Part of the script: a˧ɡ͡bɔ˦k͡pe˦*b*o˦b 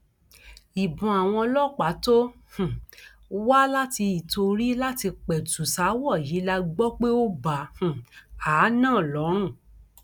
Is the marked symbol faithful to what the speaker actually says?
no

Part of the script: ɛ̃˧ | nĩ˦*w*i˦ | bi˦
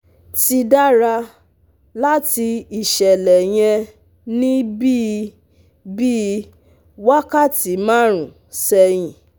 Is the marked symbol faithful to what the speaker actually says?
no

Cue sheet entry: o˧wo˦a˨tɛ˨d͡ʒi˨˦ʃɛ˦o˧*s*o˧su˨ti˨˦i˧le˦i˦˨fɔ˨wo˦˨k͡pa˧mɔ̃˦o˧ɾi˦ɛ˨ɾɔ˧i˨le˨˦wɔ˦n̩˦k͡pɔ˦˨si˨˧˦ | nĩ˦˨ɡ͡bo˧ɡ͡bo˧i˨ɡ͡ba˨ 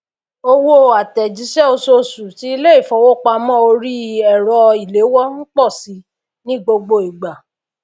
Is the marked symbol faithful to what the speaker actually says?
yes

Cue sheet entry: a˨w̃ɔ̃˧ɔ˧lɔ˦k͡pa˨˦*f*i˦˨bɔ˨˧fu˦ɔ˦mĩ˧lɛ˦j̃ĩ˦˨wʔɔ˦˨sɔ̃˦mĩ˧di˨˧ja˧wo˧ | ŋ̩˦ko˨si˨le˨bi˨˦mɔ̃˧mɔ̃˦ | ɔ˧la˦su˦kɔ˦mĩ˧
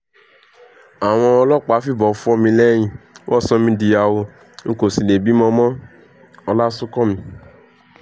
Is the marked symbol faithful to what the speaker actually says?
yes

